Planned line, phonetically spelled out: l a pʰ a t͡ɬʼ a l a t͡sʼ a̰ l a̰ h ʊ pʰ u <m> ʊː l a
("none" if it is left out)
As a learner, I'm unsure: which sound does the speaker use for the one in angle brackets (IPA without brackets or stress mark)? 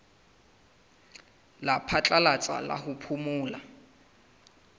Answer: m